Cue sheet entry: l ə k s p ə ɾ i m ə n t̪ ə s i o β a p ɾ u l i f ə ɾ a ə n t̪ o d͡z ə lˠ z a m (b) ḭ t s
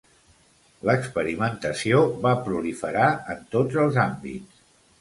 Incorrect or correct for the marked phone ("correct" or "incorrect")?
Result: correct